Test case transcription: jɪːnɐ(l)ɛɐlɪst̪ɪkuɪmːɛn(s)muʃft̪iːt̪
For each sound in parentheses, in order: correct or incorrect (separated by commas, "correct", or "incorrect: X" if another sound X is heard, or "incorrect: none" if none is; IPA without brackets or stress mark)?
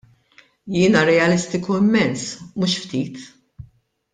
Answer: incorrect: ɾ, correct